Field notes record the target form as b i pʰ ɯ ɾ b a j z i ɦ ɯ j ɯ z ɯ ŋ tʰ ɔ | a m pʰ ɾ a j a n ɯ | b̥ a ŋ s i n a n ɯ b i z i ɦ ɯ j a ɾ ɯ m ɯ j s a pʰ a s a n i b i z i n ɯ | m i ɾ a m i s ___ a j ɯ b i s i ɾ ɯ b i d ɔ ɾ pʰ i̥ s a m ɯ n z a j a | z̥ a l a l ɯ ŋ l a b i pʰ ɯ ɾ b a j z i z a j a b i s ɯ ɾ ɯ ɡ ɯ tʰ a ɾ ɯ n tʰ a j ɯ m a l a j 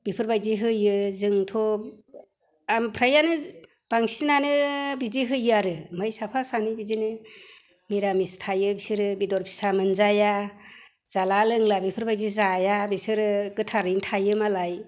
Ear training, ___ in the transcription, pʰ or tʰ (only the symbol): tʰ